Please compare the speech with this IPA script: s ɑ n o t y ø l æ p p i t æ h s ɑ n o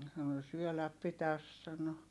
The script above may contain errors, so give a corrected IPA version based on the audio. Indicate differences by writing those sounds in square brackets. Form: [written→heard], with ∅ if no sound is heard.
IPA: s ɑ n o [t→s] y ø l æ p p i t æ [h→s] s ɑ n o

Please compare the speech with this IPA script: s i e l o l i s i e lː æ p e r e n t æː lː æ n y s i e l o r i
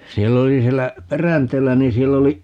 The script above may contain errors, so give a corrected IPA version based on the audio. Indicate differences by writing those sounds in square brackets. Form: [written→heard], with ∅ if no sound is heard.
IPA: s i e [l→lː] o l i s i e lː æ p e r [e→æ] n t [æː→eː] lː æ n [y→i] s i e [l→lː] o [r→l] i

